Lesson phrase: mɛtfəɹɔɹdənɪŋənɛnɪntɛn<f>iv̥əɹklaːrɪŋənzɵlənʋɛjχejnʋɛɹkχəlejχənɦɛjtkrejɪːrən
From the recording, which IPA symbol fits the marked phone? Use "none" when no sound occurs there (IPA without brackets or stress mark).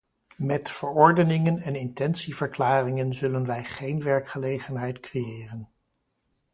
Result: s